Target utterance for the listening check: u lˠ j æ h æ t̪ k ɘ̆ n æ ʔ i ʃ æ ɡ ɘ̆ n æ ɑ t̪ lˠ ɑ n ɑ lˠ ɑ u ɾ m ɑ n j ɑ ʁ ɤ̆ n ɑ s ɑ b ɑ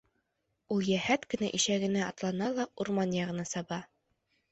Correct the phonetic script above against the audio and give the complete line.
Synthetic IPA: u lˠ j æ h æ t̪ k ɘ̆ n æ ʔ i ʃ æ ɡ ɘ̆ n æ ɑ t̪ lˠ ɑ n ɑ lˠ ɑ u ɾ m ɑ n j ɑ ʁ ɤ̆ n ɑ s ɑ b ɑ